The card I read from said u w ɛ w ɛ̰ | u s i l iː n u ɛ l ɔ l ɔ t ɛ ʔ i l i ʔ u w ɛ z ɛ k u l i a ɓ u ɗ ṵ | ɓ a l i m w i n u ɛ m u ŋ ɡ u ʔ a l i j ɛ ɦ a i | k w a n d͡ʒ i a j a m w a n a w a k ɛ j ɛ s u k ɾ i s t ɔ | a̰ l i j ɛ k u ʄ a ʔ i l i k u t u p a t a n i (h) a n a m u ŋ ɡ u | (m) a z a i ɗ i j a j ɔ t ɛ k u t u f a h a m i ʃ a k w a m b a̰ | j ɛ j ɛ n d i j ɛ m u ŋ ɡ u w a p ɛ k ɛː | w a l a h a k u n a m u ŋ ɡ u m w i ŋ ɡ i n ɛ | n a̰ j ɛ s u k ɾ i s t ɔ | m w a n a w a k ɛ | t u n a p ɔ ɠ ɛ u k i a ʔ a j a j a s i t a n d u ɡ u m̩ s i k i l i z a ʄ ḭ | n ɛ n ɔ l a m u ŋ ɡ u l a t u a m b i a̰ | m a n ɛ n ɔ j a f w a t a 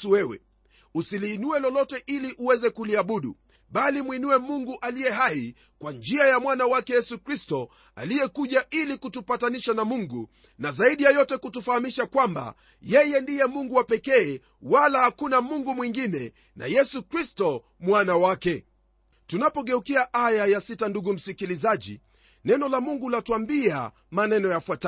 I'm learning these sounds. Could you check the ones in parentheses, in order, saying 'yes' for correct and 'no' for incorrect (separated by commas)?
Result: no, no